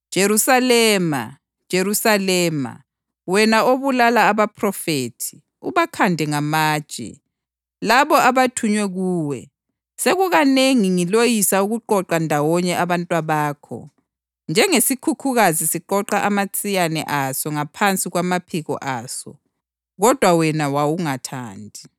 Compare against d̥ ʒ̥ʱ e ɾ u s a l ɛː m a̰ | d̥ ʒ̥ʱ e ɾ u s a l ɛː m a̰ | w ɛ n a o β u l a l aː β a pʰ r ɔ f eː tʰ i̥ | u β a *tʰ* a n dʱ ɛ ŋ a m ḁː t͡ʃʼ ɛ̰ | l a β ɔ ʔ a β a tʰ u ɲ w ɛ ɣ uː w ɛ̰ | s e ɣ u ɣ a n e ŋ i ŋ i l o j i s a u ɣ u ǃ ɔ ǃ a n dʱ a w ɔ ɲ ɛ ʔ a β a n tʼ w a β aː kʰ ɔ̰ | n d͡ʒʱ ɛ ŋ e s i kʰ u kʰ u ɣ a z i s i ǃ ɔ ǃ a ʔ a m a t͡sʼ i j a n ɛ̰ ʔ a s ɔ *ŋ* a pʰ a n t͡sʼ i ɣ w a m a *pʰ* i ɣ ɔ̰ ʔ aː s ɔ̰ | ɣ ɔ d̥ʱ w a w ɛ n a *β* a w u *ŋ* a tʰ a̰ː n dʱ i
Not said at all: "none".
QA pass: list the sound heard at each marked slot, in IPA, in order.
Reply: kʰ, ŋ, pʰ, w, ŋ

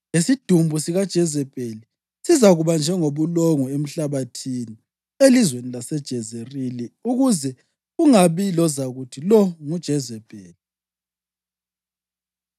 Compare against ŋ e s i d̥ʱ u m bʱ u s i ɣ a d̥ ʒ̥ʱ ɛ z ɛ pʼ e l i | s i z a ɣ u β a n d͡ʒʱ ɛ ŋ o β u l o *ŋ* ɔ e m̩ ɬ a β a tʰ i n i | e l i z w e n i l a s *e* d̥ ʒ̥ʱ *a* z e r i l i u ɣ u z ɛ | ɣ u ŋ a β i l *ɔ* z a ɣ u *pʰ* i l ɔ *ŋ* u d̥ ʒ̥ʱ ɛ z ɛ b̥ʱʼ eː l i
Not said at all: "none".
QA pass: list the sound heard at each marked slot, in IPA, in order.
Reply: ŋ, ɛ, ɛ, ɔ, tʰ, ŋ

